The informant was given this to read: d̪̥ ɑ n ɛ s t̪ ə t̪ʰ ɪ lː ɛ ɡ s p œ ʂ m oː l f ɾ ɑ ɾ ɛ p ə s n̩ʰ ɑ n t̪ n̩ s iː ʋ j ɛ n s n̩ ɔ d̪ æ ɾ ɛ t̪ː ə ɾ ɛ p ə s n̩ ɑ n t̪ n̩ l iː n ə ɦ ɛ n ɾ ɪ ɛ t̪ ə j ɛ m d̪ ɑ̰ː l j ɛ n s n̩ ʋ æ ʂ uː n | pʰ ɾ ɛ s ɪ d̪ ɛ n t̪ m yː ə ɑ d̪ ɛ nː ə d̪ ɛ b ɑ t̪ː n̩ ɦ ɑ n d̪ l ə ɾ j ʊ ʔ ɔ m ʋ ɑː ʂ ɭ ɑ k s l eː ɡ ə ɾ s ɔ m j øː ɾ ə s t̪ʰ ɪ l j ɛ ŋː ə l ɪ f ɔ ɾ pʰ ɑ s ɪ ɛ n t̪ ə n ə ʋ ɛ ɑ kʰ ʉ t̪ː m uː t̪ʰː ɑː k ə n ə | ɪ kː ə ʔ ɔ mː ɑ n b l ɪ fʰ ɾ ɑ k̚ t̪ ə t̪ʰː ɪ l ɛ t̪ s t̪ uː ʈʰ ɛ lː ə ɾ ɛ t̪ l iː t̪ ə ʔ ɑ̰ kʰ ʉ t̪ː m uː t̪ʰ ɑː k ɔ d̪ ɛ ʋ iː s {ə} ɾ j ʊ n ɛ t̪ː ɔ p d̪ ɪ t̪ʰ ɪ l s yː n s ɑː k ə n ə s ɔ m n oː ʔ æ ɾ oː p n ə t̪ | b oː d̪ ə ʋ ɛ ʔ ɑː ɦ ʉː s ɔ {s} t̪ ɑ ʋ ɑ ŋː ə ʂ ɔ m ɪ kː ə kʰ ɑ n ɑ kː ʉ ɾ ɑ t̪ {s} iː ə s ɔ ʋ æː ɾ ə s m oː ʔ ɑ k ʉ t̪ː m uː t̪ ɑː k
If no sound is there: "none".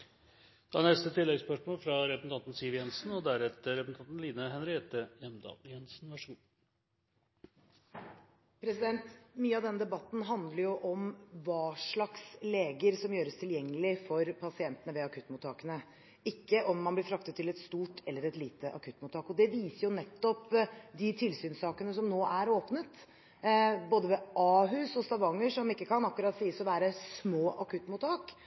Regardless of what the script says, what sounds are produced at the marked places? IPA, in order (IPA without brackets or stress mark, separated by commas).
ə, s, s